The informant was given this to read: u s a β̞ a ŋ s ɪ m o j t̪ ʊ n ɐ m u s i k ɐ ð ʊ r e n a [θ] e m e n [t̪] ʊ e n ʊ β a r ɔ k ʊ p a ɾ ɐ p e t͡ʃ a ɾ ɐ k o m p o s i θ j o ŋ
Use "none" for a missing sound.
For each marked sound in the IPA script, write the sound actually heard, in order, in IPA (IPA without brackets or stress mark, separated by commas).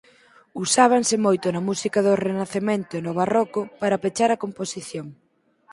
θ, t̪